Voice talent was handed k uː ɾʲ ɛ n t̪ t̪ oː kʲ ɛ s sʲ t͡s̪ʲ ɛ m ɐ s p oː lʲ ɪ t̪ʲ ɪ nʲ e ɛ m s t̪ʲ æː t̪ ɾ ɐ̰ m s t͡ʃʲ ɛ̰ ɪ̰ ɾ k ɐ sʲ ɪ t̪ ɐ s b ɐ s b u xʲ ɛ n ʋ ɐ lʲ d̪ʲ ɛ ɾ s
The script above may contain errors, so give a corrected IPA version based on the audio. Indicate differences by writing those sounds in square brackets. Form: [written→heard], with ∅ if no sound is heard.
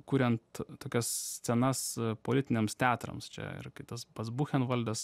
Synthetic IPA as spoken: k uː ɾʲ ɛ n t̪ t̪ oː kʲ ɛ s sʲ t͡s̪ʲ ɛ [m→n] ɐ s p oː lʲ ɪ t̪ʲ ɪ nʲ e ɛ m s t̪ʲ æː t̪ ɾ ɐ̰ m s t͡ʃʲ ɛ̰ ɪ̰ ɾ k ɐ [sʲ→∅] ɪ t̪ ɐ s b ɐ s b u xʲ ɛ n ʋ ɐ lʲ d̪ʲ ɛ [ɾ→∅] s